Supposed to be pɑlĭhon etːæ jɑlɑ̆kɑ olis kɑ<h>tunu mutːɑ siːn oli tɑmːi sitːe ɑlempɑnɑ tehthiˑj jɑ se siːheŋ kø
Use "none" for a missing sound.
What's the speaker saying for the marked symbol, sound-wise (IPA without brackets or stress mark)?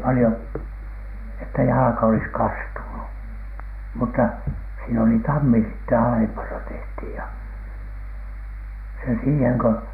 s